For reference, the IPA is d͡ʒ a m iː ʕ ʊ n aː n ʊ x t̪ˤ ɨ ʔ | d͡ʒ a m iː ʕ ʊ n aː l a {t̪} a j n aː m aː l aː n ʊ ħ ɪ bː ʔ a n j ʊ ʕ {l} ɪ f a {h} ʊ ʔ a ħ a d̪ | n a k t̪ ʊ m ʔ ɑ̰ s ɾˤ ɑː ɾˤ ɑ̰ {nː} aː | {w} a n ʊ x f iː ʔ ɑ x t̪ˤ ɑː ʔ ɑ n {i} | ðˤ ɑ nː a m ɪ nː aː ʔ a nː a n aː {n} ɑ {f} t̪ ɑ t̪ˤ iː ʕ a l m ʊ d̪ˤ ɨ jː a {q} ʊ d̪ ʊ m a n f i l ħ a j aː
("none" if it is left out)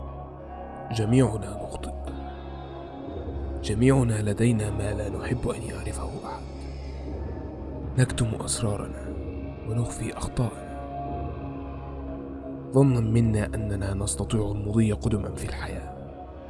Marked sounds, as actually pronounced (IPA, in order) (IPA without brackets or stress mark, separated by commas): d̪, ɾ, h, n, w, a, n, s, q